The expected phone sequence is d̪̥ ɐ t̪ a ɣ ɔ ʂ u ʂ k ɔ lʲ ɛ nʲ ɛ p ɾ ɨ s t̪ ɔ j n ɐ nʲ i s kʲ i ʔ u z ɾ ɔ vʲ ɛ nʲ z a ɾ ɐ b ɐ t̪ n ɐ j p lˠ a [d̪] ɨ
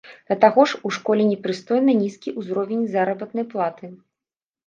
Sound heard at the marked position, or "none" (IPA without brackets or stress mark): t̪